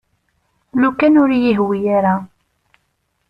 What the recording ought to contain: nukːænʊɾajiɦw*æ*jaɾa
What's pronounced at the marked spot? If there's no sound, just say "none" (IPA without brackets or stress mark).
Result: i